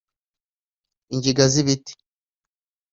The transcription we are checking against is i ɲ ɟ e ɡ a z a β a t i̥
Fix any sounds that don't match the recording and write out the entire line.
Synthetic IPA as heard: i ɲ ɟ i ɡ a z i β i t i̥